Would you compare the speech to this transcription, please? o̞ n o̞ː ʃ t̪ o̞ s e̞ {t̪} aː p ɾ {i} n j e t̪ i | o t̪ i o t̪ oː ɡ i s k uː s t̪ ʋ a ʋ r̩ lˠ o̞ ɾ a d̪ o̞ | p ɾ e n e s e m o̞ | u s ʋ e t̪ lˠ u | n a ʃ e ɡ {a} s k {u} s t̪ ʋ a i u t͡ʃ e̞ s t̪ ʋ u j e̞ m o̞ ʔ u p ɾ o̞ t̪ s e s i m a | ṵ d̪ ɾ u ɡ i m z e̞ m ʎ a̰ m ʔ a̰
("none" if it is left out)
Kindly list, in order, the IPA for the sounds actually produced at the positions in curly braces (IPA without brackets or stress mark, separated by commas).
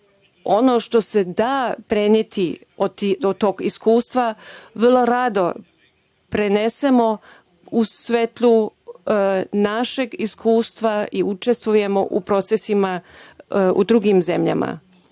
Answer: d̪, e, i, uː